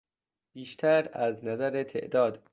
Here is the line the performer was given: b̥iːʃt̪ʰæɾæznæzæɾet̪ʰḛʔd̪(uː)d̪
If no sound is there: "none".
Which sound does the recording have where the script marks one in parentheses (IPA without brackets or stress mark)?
ɒː